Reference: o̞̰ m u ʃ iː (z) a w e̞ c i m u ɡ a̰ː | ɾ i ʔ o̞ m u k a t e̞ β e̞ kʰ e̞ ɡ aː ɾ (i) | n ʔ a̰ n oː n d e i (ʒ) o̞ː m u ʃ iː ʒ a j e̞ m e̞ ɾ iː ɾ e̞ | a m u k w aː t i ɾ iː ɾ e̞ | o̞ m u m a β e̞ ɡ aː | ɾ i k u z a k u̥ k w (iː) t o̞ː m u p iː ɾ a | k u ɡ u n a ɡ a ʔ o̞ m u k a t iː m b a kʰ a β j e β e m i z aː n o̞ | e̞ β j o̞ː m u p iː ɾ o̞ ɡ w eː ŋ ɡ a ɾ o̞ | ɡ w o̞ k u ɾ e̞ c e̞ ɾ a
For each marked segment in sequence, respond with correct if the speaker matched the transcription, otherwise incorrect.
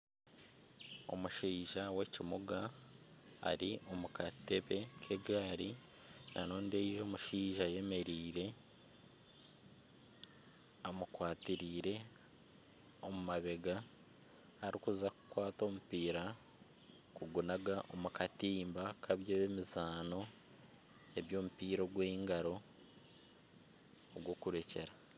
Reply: incorrect: ʒ, correct, correct, incorrect: aː

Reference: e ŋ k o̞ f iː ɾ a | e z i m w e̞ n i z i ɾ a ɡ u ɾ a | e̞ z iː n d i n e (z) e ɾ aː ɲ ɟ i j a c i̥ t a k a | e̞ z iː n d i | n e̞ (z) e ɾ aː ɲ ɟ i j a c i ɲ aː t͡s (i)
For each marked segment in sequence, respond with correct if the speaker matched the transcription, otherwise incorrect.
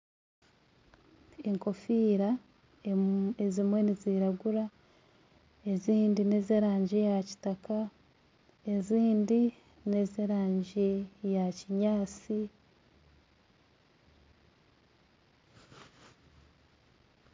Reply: correct, correct, correct

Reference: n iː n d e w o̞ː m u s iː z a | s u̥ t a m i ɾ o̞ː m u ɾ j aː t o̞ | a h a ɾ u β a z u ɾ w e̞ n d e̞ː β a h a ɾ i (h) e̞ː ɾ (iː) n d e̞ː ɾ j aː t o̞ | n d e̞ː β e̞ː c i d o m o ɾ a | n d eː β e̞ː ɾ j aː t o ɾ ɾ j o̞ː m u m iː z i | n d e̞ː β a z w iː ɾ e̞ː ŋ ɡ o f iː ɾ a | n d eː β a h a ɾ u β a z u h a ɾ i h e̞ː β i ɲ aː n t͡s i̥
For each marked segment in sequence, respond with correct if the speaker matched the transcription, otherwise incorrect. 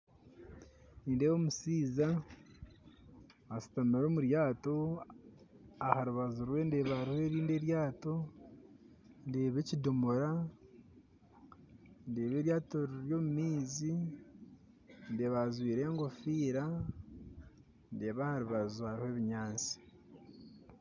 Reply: correct, correct

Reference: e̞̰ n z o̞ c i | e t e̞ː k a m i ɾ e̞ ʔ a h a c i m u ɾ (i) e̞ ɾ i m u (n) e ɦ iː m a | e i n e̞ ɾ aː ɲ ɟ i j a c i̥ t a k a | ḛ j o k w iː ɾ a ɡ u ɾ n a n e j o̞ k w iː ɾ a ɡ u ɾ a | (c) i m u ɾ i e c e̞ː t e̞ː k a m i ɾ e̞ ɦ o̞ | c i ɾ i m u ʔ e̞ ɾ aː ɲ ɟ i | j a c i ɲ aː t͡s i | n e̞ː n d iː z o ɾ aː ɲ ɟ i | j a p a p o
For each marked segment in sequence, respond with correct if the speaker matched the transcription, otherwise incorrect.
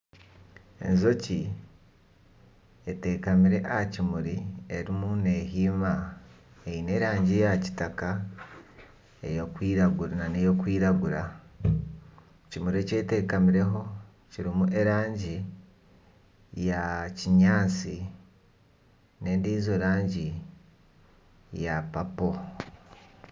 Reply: correct, correct, correct

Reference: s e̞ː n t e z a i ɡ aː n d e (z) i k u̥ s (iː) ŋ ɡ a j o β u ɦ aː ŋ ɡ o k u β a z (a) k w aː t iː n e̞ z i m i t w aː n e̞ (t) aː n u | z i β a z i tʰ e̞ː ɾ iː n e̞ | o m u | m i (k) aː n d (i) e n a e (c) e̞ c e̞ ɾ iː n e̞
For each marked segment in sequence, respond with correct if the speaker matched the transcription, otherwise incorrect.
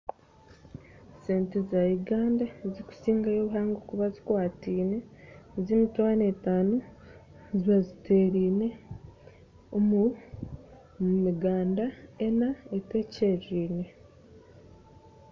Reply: correct, correct, incorrect: i, correct, incorrect: ɡ, incorrect: a, incorrect: t

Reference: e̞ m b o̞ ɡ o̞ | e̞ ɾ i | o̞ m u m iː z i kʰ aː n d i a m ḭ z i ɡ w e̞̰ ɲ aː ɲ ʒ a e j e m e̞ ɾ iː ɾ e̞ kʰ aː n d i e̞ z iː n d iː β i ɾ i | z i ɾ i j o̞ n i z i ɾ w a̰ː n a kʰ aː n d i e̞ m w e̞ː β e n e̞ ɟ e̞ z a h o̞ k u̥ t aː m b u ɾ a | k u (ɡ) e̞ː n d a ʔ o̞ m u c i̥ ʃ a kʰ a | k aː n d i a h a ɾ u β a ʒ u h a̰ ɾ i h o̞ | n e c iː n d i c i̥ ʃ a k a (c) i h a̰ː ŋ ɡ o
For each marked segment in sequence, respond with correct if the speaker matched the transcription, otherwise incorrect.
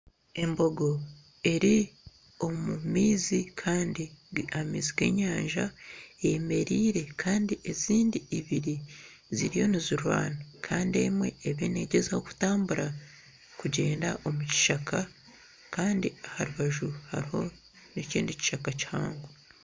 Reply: incorrect: ɟ, correct

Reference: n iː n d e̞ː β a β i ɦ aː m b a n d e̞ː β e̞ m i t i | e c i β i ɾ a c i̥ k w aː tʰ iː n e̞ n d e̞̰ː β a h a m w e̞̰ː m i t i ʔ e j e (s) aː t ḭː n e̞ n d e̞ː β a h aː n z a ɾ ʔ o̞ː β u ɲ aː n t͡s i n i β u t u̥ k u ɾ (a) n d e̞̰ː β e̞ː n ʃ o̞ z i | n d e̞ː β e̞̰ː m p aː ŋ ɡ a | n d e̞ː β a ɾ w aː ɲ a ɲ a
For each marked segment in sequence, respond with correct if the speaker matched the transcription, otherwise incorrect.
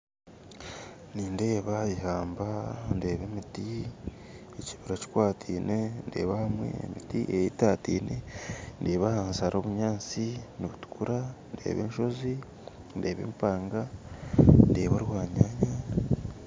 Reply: incorrect: t, correct

